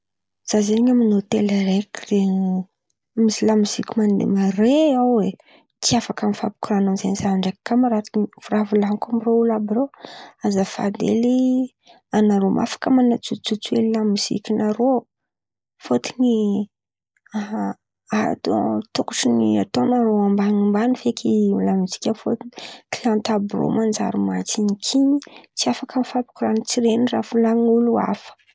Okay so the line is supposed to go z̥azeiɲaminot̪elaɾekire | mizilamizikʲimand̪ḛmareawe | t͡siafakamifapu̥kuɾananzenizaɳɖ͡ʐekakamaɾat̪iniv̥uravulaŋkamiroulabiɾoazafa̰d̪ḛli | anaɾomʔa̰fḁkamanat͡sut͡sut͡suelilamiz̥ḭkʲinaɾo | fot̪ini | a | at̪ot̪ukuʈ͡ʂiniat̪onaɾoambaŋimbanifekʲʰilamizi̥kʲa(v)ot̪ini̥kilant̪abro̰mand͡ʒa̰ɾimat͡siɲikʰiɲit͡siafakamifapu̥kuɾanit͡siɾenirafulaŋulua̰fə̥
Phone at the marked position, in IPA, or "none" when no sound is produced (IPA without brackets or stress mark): f